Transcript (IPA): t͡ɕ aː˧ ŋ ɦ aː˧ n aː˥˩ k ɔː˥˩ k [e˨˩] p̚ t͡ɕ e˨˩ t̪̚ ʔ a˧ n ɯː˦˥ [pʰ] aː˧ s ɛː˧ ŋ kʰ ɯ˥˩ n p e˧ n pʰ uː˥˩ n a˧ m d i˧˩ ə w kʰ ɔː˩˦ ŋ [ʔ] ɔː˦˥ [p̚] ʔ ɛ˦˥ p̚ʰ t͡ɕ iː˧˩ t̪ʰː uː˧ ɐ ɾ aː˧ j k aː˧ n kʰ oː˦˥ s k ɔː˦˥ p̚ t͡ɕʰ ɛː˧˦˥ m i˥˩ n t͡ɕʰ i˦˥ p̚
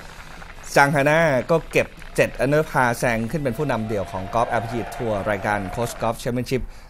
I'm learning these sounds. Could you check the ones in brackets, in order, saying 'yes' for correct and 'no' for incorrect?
yes, yes, no, yes

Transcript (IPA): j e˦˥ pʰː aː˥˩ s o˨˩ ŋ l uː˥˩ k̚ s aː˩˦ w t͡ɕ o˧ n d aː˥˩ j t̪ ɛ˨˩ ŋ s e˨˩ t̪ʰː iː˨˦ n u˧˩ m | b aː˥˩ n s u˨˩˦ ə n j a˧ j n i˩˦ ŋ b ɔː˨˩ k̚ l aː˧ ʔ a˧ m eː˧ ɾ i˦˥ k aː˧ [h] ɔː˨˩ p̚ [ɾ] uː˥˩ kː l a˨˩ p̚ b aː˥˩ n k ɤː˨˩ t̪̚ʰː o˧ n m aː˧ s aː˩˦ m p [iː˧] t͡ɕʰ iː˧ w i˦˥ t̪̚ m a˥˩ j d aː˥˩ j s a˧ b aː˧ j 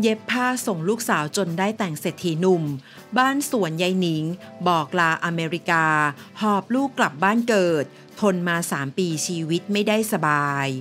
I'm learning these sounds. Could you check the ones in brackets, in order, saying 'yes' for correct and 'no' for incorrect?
yes, no, yes

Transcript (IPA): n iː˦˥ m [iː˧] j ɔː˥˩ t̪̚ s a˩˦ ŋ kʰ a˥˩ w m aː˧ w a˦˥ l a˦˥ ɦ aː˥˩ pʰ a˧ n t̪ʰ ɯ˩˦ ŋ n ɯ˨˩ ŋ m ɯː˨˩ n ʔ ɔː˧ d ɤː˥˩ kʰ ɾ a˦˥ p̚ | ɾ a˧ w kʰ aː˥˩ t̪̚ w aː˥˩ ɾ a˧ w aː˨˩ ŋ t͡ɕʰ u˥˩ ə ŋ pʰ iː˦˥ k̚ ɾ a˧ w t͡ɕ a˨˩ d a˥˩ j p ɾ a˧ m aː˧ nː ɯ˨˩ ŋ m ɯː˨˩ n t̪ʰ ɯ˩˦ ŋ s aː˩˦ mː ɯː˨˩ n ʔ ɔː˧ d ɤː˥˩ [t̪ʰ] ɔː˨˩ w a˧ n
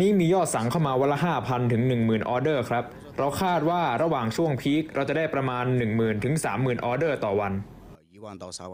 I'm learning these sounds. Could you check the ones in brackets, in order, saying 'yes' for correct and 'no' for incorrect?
yes, no

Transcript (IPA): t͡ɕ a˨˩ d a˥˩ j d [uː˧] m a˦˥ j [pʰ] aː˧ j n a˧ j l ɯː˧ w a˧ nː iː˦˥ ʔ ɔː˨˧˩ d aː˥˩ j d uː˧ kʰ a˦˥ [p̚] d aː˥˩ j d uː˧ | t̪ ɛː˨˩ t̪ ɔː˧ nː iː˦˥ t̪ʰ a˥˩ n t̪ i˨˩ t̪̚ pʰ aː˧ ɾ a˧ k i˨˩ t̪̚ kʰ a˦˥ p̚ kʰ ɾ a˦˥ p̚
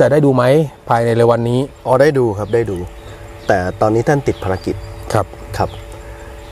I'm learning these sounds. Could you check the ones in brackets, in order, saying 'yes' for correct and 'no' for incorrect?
yes, yes, yes

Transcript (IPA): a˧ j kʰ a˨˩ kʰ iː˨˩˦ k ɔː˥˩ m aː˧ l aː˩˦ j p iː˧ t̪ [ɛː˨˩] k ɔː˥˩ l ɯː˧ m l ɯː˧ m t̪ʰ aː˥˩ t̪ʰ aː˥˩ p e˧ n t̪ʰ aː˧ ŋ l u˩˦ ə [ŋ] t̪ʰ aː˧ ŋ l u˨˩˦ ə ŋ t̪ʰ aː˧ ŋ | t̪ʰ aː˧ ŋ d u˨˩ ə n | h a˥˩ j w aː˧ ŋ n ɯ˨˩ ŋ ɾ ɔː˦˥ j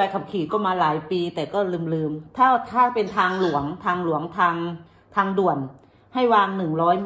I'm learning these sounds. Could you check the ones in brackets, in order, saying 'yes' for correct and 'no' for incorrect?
yes, yes

